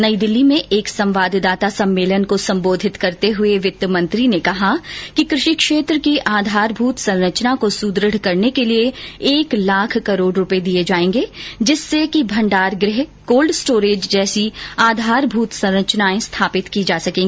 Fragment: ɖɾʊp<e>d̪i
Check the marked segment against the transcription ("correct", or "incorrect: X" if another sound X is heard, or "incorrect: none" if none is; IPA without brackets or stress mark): correct